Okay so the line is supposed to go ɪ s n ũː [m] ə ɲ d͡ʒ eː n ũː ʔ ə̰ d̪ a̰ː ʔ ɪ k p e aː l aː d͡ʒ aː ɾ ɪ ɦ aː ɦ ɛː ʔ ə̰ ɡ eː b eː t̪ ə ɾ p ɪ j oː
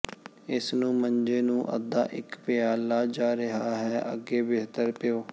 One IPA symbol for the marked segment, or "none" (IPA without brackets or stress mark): m